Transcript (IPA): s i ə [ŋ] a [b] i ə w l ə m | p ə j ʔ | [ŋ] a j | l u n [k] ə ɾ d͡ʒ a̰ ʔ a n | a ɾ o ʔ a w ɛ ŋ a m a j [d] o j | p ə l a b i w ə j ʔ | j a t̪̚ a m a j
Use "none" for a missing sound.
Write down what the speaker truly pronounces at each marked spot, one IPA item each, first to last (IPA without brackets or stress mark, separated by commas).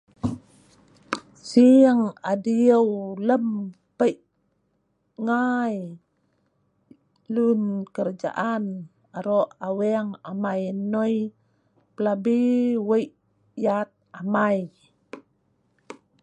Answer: ŋ, d, ŋ, k, n